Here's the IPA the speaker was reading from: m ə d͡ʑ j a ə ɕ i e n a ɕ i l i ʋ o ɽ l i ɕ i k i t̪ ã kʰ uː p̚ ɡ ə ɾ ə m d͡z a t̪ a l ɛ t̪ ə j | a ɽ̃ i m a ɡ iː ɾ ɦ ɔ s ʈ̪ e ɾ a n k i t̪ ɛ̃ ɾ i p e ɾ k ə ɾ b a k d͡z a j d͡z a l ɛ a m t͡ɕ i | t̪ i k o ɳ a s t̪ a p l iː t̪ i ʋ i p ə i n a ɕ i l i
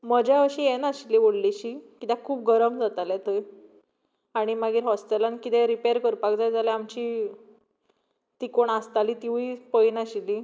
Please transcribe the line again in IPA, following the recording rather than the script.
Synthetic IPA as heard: m ə d͡ʑ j a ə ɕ i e n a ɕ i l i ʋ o ɽ l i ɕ i k i t̪ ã kʰ uː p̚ ɡ ə ɾ ə m d͡z a t̪ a l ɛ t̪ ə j | a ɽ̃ i m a ɡ iː ɾ ɦ ɔ s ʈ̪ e l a n k i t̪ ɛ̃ ɾ i p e ɾ k ə ɾ p a k d͡z a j d͡z a l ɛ a m t͡ɕ i | t̪ i k o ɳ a s t̪ a l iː t̪ i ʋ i p ə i n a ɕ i l i